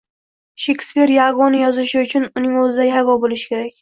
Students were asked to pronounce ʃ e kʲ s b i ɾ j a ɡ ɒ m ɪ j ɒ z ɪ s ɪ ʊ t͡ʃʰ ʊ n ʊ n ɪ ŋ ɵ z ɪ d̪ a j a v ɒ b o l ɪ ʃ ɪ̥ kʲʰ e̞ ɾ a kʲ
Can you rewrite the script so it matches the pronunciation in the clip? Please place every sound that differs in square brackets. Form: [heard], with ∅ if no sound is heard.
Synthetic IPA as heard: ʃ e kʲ s [p] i ɾ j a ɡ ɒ [n] ɪ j ɒ z ɪ [ʃ] ɪ ʊ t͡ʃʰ ʊ n ʊ n ɪ ŋ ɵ z ɪ d̪ a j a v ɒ b o l ɪ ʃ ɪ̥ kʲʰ e̞ ɾ a kʲ